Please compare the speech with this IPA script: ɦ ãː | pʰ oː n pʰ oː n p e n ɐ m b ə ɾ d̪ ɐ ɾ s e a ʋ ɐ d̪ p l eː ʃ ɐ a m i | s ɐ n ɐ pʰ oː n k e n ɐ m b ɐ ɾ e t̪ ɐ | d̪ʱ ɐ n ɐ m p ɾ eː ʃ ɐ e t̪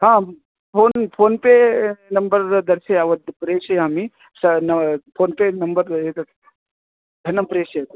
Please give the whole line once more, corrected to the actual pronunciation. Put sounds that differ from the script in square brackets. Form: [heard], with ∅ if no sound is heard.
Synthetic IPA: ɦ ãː | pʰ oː n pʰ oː n p e n ɐ m b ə ɾ d̪ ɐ ɾ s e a ʋ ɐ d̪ p [ɾ] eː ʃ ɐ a m i | s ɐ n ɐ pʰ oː n [p] e n ɐ m b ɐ ɾ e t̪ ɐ | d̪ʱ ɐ n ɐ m p ɾ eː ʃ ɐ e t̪

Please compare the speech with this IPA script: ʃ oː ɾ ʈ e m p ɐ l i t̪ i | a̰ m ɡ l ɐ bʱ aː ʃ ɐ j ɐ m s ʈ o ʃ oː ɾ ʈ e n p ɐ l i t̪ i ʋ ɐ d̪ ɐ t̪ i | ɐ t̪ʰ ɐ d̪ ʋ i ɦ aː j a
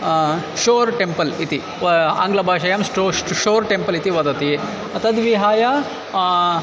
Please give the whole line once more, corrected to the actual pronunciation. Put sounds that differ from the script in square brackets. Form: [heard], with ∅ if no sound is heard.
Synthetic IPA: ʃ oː ɾ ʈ e m p ɐ l i t̪ i | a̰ [ŋ] ɡ l ɐ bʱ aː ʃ ɐ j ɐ m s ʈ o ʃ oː ɾ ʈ e [m] p ɐ l i t̪ i ʋ ɐ d̪ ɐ t̪ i | ɐ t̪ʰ ɐ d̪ ʋ i ɦ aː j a

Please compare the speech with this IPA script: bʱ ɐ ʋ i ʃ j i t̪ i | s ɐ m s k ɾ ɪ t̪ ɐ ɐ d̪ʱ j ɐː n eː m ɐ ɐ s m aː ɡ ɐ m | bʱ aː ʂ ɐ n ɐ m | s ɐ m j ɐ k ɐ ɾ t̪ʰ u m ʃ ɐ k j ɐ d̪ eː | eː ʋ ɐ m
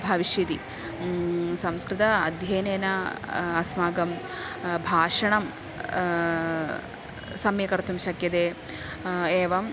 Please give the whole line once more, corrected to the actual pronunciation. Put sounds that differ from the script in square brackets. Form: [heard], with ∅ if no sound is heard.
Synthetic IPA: bʱ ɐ ʋ i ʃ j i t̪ i | s ɐ m s k ɾ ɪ t̪ ɐ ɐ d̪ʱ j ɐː n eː [n] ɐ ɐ s m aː ɡ ɐ m | bʱ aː ʂ ɐ [ɳ] ɐ m | s ɐ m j ɐ k ɐ ɾ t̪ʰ u m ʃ ɐ k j ɐ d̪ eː | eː ʋ ɐ m

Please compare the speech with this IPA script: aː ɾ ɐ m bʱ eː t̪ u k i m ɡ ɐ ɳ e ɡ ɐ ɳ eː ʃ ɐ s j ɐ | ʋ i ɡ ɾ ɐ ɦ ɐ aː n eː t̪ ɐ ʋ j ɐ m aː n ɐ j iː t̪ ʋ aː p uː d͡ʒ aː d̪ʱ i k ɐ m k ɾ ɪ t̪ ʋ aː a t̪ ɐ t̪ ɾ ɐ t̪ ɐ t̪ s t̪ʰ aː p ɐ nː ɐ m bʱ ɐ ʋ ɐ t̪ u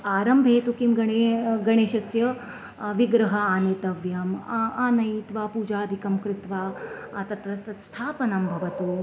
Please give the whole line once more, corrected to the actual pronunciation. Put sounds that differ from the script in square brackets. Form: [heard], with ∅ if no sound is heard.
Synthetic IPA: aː ɾ ɐ m bʱ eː t̪ u k i m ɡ ɐ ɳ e ɡ ɐ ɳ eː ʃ ɐ s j ɐ | ʋ i ɡ ɾ ɐ ɦ ɐ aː n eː t̪ ɐ ʋ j ɐ m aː n ɐ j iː t̪ ʋ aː p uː d͡ʒ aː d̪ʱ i k ɐ m k ɾ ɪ t̪ ʋ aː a t̪ ɐ t̪ ɾ ɐ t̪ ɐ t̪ s t̪ʰ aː p ɐ [n] ɐ m bʱ ɐ ʋ ɐ t̪ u

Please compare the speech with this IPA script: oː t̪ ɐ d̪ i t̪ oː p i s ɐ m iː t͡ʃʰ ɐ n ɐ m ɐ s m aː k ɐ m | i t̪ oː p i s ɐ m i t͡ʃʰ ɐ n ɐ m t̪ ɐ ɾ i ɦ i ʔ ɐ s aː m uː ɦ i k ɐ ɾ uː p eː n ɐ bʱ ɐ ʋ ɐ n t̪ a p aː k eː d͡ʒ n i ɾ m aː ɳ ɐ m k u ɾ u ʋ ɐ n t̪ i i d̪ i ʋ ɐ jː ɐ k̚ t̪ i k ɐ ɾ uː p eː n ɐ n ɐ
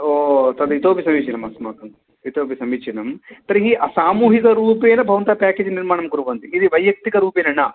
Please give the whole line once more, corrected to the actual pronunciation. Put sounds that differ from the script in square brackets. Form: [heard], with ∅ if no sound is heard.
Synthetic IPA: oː t̪ ɐ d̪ i t̪ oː p i s ɐ m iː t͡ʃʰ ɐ n ɐ m ɐ s m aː k ɐ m | i t̪ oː p i s ɐ m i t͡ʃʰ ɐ n ɐ m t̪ ɐ ɾ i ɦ i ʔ ɐ s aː m uː ɦ i k ɐ ɾ uː p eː n ɐ bʱ ɐ ʋ ɐ n t̪ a p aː k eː d͡ʒ n i ɾ m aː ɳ ɐ m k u ɾ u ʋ ɐ n t̪ i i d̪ i ʋ ɐ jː ɐ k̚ t̪ i k ɐ ɾ uː p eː n ɐ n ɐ

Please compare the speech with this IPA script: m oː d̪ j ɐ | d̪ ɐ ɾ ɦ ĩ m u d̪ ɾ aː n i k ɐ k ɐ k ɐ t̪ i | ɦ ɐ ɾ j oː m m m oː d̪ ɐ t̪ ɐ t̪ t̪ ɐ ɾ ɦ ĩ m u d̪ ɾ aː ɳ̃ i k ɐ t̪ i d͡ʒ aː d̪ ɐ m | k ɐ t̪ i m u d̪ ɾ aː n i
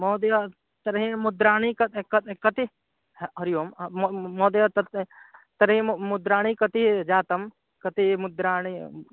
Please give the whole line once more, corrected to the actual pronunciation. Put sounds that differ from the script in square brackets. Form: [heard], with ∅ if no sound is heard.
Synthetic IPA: m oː d̪ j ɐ | [t̪] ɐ ɾ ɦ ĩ m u d̪ ɾ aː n i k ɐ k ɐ k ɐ t̪ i | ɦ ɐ ɾ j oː m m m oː d̪ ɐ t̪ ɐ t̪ t̪ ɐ ɾ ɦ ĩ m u d̪ ɾ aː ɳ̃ i k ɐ t̪ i d͡ʒ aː [t̪] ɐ m | k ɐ t̪ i m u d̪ ɾ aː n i

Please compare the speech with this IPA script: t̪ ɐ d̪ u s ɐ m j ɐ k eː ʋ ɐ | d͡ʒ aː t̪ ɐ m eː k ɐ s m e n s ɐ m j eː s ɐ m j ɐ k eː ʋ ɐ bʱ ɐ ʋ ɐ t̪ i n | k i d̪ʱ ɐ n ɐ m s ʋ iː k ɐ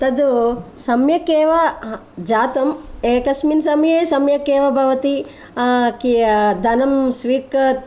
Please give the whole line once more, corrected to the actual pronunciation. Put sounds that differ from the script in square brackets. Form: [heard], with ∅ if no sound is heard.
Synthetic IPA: t̪ ɐ d̪ u s ɐ m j ɐ k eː ʋ ɐ | d͡ʒ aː t̪ ɐ m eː k ɐ s m [i] n s ɐ m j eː s ɐ m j ɐ k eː ʋ ɐ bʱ ɐ ʋ ɐ t̪ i [∅] | k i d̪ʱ ɐ n ɐ m s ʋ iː k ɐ

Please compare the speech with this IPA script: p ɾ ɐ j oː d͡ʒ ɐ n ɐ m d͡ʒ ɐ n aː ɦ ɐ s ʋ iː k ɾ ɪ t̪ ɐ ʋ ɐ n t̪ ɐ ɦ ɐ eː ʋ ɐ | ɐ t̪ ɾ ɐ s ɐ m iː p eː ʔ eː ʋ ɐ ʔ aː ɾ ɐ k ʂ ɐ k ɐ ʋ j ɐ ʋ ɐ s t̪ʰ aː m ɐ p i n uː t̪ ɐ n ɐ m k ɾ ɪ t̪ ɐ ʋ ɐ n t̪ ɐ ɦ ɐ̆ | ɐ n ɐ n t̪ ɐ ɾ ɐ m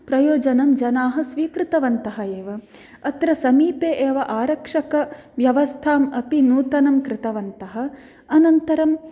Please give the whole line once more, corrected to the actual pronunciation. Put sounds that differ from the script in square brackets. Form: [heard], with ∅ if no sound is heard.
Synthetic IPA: p ɾ ɐ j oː d͡ʒ ɐ n ɐ m d͡ʒ ɐ n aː ɦ ɐ s ʋ iː k ɾ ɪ t̪ ɐ ʋ ɐ n t̪ ɐ ɦ ɐ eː ʋ ɐ | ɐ t̪ ɾ ɐ s ɐ m iː p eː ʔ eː ʋ ɐ ʔ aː ɾ ɐ k ʂ ɐ k ɐ ʋ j ɐ ʋ ɐ s t̪ʰ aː m ɐ p i n uː t̪ ɐ n ɐ m k ɾ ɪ t̪ ɐ ʋ ɐ n t̪ ɐ ɦ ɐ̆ | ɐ n ɐ n t̪ ɐ ɾ ɐ m

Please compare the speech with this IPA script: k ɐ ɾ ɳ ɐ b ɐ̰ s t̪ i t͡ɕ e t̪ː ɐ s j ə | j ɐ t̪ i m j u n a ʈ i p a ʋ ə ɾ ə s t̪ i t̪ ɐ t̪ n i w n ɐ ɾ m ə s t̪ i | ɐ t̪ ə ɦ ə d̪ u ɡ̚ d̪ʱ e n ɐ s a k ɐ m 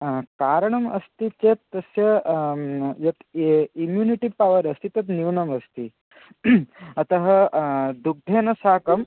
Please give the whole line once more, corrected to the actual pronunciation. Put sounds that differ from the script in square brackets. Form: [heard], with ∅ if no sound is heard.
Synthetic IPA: k [a] ɾ ɳ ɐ [m] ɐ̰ s t̪ i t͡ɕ e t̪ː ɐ s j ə | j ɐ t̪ i m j u n [i] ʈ i p a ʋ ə ɾ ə s t̪ i t̪ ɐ t̪ n i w n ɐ [∅] m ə s t̪ i | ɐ t̪ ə ɦ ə d̪ u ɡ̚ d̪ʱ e n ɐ s a k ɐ m

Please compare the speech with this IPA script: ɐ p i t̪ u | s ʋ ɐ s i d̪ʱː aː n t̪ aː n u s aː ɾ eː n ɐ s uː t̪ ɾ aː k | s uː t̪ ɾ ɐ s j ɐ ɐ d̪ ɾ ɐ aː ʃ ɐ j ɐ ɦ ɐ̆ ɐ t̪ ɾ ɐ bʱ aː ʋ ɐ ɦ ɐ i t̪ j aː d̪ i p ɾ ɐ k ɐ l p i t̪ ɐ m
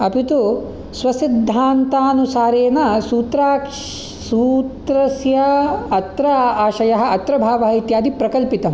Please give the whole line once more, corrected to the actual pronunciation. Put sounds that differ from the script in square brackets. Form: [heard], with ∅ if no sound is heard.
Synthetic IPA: ɐ p i t̪ u | s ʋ ɐ s i d̪ʱː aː n t̪ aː n u s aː ɾ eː n ɐ s uː t̪ ɾ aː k | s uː t̪ ɾ ɐ s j ɐ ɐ [t̪] ɾ ɐ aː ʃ ɐ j ɐ ɦ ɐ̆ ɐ t̪ ɾ ɐ bʱ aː ʋ ɐ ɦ ɐ i t̪ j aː d̪ i p ɾ ɐ k ɐ l p i t̪ ɐ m

